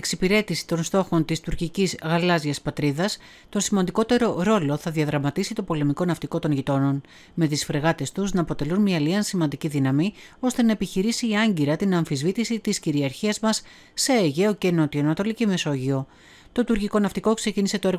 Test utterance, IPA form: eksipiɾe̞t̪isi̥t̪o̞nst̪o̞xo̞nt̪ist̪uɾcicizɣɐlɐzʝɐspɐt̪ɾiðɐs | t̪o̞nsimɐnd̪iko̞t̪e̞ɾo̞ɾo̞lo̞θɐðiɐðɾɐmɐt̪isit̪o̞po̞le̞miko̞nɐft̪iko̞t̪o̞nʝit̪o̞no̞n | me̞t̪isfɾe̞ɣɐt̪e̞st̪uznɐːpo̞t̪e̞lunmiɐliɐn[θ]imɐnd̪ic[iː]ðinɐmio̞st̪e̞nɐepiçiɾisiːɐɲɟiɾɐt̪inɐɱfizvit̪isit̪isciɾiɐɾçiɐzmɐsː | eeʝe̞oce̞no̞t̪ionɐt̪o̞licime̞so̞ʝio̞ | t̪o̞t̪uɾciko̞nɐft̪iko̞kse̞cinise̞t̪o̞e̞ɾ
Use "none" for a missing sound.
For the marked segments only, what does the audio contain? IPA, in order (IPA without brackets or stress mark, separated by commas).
s, i